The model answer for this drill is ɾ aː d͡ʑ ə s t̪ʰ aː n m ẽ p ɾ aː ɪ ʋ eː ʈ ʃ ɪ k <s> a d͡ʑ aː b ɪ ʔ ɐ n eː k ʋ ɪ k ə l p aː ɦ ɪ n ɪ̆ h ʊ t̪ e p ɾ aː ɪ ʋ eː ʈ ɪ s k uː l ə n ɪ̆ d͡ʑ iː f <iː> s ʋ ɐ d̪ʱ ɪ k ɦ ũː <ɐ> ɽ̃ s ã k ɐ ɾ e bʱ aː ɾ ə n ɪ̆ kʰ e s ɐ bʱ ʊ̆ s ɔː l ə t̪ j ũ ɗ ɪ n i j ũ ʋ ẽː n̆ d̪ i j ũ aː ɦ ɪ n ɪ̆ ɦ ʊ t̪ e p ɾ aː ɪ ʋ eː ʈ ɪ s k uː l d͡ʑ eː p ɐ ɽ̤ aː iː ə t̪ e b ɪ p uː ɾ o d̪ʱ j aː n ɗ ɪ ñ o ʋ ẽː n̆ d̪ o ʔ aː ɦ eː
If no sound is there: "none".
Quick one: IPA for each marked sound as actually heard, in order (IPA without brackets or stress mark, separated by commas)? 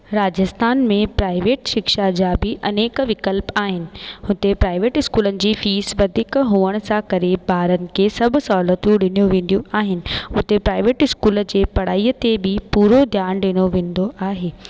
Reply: ʃ, iː, ə